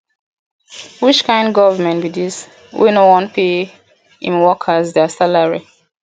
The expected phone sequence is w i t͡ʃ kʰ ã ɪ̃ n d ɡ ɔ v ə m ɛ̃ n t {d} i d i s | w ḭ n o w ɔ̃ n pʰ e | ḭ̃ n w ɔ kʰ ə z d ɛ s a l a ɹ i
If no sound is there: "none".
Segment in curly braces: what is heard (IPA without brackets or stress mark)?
b